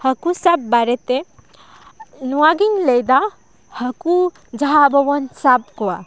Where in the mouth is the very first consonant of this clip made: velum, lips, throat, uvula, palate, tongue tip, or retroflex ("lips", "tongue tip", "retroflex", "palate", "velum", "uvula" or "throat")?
throat